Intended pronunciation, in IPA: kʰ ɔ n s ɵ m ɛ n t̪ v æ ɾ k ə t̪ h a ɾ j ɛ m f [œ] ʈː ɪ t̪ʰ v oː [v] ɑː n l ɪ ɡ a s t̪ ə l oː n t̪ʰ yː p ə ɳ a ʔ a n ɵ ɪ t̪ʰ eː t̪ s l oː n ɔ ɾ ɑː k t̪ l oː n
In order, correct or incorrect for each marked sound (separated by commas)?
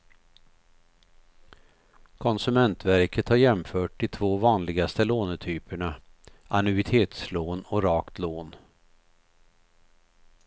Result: incorrect, correct